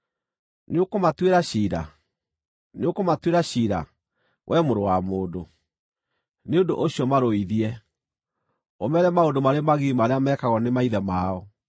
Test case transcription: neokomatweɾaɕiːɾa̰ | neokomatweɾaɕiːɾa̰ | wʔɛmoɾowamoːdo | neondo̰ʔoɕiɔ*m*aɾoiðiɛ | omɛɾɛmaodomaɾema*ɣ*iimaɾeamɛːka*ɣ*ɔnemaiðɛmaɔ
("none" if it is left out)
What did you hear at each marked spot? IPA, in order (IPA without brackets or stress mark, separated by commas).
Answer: m, ɣ, ɣ